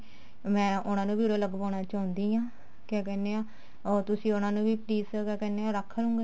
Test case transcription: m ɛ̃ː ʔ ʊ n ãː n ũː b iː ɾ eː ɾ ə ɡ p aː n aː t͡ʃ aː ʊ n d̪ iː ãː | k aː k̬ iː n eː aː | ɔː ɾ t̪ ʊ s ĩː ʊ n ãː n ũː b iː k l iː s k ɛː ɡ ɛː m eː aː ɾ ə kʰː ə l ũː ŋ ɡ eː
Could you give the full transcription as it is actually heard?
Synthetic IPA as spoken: m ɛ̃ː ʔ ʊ n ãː n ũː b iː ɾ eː l ə ɡ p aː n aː t͡ʃ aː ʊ n d̪ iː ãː | k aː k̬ ɛː n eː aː | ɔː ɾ t̪ ʊ s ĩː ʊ n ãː n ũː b iː p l iː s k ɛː k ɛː n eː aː ɾ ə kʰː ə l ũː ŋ ɡ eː